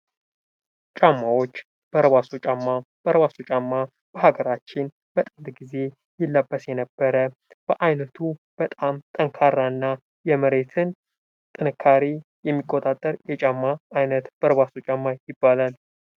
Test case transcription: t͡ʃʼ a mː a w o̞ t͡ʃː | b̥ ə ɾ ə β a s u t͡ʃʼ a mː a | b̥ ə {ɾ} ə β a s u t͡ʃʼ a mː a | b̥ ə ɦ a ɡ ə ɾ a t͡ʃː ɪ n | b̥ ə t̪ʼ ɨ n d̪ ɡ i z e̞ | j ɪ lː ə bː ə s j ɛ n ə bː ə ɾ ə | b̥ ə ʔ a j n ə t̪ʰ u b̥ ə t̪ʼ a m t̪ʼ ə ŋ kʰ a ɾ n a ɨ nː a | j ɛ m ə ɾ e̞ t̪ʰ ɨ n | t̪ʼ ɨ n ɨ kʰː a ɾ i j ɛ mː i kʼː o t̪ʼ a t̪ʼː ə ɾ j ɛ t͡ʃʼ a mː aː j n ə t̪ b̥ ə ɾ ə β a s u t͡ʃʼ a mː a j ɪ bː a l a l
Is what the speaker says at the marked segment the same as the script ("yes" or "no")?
yes